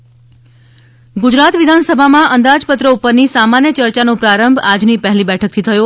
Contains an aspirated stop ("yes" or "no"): yes